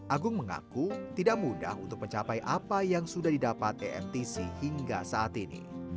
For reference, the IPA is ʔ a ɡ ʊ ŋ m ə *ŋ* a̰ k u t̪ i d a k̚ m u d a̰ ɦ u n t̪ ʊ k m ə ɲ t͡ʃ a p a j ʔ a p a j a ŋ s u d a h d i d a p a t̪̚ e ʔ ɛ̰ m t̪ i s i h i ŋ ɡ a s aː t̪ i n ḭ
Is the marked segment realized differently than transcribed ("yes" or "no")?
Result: no